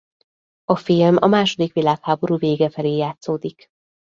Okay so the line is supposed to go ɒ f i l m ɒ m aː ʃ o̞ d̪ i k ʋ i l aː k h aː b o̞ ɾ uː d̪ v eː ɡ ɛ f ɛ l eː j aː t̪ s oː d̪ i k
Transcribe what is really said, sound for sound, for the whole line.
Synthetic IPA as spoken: ɒ f i l m ɒ m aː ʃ o̞ d̪ i k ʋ i l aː k h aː b o̞ ɾ uː v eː ɡ ɛ f ɛ l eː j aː t̪ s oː d̪ i k